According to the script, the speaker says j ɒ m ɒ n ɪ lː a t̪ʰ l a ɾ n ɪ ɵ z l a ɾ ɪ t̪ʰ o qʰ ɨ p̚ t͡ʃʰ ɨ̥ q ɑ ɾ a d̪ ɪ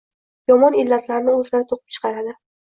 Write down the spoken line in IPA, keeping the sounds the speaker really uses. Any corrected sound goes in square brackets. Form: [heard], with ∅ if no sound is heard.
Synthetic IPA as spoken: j ɒ m ɒ n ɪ lː a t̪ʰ l a ɾ n ɪ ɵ z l a ɾ ɪ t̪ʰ o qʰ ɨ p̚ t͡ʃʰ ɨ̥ q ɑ ɾ a d̪ ɪ